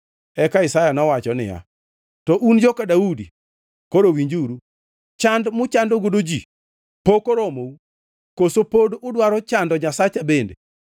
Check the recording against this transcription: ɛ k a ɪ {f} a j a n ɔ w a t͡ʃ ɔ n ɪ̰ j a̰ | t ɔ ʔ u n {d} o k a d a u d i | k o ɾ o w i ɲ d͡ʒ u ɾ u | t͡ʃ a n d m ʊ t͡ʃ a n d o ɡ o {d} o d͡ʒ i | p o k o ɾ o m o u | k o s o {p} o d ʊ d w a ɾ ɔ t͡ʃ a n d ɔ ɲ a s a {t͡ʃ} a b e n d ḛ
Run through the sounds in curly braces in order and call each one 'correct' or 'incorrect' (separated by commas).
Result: incorrect, incorrect, correct, correct, correct